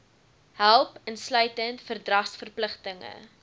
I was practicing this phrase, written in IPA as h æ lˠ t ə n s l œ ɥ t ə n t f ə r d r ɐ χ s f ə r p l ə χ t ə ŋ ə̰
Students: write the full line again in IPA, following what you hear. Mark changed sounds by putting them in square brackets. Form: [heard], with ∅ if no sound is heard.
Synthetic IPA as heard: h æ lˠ [p] ə n s l œ ɥ t ə n t f ə r d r ɐ χ s f ə r p l ə χ t ə ŋ ə̰